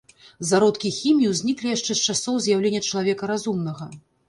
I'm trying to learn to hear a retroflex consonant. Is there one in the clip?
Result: yes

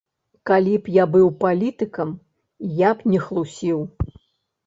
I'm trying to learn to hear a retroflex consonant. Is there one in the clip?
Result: no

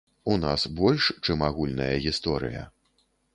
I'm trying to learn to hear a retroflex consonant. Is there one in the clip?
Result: yes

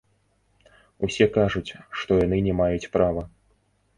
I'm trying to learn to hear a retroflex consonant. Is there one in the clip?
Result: yes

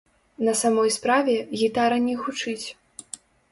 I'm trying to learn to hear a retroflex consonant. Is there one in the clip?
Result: yes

